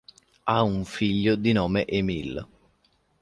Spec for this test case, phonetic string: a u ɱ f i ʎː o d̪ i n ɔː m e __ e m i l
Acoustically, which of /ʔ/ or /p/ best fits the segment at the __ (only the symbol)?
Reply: ʔ